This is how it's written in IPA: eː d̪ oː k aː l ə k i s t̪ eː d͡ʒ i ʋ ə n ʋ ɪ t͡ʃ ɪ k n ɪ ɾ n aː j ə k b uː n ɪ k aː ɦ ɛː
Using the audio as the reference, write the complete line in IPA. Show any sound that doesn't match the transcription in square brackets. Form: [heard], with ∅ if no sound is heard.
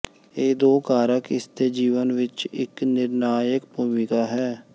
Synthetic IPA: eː d̪ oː k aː [ɾ] ə k [ɪ] s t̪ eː d͡ʒ [iː] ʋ ə n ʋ ɪ t͡ʃ ɪ k n ɪ ɾ n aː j ə k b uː [m] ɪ k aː ɦ ɛː

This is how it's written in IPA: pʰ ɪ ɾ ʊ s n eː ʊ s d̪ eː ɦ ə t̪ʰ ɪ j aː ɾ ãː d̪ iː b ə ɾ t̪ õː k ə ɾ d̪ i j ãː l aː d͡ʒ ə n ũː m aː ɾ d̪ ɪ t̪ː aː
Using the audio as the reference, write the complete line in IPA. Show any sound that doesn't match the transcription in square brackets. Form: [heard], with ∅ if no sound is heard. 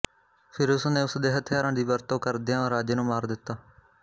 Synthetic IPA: pʰ ɪ ɾ ʊ s n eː ʊ s d̪ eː ɦ ə t̪ʰ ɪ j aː ɾ ãː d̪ iː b ə ɾ t̪ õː k ə ɾ d̪ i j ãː [ɾ] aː d͡ʒ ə n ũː m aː ɾ d̪ ɪ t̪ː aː

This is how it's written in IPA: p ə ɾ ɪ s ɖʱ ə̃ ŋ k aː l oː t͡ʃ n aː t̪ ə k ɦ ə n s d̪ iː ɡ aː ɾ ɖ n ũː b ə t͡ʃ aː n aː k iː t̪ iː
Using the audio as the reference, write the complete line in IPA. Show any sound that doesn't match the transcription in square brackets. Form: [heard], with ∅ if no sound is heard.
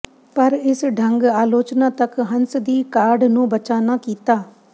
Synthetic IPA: p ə ɾ ɪ s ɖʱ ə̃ ŋ [ɡ] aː l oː t͡ʃ n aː t̪ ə k ɦ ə n s d̪ iː [k] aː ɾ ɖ n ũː b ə t͡ʃ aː n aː k iː t̪ [aː]

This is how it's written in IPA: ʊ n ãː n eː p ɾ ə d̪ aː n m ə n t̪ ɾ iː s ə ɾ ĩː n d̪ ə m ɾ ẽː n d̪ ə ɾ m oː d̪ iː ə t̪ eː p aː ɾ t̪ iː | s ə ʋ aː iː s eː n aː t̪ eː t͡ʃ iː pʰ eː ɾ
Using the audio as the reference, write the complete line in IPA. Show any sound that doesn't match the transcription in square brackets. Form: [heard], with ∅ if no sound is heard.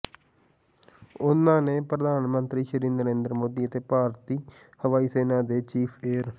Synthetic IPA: ʊ n ãː n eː p ɾ ə d̪ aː n m ə n t̪ ɾ iː [ʃ] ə ɾ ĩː n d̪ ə [∅] ɾ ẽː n d̪ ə ɾ m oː d̪ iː ə t̪ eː p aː ɾ t̪ iː | [h] ə ʋ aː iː s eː n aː [d̪] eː t͡ʃ iː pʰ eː ɾ

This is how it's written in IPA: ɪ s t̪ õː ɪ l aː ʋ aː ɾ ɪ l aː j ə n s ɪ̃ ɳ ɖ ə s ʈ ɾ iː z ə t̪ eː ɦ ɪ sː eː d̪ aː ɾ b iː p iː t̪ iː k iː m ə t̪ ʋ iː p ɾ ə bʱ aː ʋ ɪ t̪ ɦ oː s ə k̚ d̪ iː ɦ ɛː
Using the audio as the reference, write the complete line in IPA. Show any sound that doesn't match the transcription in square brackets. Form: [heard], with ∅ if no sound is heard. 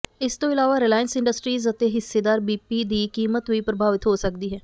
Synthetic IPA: ɪ s t̪ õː ɪ l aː ʋ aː ɾ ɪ l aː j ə n s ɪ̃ ɳ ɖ ə s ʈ ɾ iː z ə t̪ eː ɦ ɪ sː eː d̪ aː ɾ b iː p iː [d̪] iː k iː m ə t̪ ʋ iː p ɾ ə bʱ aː ʋ ɪ t̪ ɦ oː s ə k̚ d̪ iː ɦ ɛː

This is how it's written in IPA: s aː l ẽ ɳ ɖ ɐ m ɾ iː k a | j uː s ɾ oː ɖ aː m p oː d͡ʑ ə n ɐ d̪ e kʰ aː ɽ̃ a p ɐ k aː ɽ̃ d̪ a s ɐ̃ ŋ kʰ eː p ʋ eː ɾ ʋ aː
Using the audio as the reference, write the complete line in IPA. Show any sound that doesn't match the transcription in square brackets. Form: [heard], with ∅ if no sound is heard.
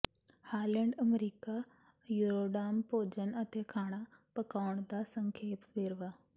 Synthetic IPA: [h] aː l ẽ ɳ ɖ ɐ m ɾ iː k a | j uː [∅] ɾ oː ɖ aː m p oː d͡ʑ ə n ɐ [t̪] e kʰ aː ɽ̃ a p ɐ k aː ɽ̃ d̪ a s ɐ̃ ŋ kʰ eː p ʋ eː ɾ ʋ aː

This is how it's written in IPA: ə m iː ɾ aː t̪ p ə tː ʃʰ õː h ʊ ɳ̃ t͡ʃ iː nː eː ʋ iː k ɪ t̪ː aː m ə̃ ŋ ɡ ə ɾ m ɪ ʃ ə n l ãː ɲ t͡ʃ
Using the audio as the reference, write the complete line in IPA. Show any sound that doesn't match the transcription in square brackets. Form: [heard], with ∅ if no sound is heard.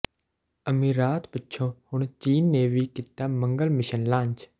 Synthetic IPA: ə m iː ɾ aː t̪ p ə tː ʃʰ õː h ʊ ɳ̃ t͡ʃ iː nː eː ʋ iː k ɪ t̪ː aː m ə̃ ŋ ɡ ə [l] m ɪ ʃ ə n l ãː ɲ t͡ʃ

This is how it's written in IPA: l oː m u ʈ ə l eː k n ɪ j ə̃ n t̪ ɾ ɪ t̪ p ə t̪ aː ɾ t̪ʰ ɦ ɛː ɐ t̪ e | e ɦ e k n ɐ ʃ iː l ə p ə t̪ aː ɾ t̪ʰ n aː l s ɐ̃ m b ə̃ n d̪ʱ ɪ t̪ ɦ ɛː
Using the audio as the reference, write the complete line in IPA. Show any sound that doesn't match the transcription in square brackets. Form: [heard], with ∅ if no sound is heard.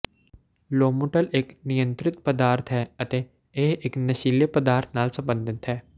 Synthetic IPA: l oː m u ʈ ə l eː k n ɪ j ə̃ n t̪ ɾ ɪ t̪ p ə [d̪] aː ɾ t̪ʰ ɦ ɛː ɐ t̪ e | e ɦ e k n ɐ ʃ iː l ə p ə [d̪] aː ɾ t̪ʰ n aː l s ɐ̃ m b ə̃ n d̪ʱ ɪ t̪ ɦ ɛː

